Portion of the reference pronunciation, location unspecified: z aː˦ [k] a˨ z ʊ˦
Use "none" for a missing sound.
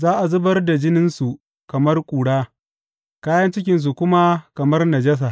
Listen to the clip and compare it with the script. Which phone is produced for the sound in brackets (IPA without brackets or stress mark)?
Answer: ʔ